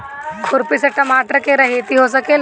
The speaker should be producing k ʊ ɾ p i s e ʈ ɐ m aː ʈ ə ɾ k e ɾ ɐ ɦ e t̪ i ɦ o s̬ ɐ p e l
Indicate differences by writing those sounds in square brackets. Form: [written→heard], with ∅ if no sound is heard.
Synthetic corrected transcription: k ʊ ɾ p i s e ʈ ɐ m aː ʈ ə ɾ k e ɾ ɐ ɦ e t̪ i ɦ o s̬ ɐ [p→k] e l